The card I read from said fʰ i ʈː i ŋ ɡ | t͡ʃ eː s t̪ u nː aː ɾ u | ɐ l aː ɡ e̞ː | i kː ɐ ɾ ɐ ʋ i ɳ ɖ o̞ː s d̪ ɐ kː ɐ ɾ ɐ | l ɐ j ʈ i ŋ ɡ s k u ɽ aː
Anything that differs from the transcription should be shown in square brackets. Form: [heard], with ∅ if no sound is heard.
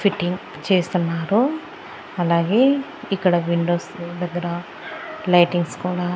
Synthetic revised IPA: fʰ i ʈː i ŋ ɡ | t͡ʃ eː s t̪ u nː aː ɾ u | ɐ l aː ɡ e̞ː | i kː ɐ [ɽ] ɐ ʋ i ɳ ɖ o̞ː s d̪ ɐ [ɡː] ɐ ɾ ɐ | l ɐ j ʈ i ŋ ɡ s k [uː] ɽ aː